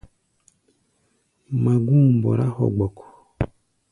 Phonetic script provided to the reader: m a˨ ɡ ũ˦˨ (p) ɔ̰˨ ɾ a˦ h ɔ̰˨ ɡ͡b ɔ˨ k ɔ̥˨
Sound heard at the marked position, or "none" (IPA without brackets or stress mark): b